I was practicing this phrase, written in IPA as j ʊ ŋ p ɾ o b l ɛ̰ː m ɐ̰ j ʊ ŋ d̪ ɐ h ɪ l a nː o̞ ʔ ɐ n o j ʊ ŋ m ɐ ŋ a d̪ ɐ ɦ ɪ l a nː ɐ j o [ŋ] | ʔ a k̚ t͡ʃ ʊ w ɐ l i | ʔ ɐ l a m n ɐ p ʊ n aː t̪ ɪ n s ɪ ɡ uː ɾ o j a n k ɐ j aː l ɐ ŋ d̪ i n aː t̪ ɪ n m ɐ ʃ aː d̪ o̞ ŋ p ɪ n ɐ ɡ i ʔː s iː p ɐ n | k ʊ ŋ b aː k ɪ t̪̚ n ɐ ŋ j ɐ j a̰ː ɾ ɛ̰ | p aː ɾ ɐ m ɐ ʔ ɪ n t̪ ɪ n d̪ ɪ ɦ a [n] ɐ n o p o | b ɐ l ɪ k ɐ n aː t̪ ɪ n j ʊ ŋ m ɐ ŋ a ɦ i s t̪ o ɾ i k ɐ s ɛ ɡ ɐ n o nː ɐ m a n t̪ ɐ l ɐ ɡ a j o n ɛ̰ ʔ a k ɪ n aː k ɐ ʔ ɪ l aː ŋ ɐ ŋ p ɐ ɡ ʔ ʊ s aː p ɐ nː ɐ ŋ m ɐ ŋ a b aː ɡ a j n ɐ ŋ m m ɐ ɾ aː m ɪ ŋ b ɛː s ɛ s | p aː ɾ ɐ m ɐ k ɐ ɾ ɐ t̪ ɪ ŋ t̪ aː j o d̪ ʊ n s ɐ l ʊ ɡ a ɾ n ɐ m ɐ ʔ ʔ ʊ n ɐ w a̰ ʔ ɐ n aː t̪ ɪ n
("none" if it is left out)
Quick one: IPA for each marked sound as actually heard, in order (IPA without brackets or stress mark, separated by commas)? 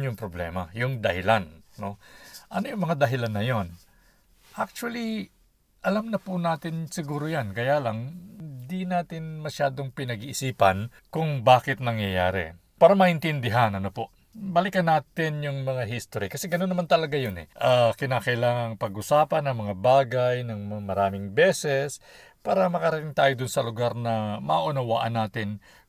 n, n